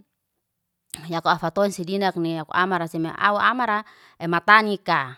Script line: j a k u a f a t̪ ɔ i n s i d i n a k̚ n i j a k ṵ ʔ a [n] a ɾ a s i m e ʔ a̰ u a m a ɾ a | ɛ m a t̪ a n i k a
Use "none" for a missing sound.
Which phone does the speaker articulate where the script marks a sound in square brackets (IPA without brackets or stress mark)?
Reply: m